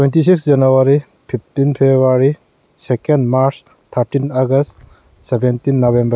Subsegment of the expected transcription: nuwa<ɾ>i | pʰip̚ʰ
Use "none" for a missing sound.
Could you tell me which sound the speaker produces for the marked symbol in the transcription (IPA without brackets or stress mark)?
ɾ